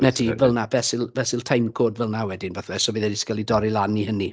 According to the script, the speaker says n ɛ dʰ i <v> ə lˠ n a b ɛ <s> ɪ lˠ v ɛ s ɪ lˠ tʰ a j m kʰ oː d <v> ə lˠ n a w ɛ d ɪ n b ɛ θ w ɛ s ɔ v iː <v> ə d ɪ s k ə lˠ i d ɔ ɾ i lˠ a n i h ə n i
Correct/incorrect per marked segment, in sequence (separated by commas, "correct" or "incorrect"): correct, correct, correct, incorrect